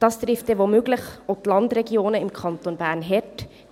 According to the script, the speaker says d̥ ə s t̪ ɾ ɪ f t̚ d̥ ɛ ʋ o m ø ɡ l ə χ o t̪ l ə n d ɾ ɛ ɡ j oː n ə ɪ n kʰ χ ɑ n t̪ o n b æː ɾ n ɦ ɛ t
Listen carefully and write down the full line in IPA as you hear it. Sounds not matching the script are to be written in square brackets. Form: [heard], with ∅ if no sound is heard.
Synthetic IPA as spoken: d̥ [ɑ] s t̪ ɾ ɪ f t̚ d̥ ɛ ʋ o m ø ɡ l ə χ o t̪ l [ɑ] n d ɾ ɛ ɡ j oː n ə ɪ [m] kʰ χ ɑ n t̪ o n b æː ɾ n ɦ ɛ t